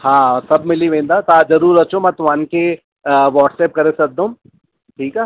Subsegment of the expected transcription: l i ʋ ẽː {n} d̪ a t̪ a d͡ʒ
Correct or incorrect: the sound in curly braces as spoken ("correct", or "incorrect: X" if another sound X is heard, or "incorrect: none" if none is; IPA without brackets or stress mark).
correct